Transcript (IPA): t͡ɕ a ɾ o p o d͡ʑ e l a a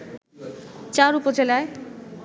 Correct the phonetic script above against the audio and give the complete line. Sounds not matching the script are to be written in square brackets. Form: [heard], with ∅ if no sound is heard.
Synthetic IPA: t͡ɕ a ɾ [u] p o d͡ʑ e l a [e]